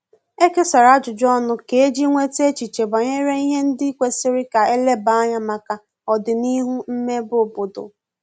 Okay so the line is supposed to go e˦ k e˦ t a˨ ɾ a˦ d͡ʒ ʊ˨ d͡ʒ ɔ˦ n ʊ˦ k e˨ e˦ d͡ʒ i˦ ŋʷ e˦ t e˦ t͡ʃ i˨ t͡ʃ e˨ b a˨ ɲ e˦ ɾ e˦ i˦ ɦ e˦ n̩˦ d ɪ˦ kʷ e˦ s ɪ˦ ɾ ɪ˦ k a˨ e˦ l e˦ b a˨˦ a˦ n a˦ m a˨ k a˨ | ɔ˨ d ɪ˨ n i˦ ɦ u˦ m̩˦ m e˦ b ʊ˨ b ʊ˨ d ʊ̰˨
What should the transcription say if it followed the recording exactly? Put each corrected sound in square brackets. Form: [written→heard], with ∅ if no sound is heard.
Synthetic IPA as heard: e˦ k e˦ [t→s] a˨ ɾ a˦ d͡ʒ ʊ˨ d͡ʒ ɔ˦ n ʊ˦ k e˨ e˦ d͡ʒ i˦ ŋʷ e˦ t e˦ t͡ʃ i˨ t͡ʃ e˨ b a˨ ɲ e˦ ɾ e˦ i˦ ɦ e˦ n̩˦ d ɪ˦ kʷ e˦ s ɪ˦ ɾ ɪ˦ k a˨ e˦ l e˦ b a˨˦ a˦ [n→ɲ] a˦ m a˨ k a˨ | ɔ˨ d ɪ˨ n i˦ ɦ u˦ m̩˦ m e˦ b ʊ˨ b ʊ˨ d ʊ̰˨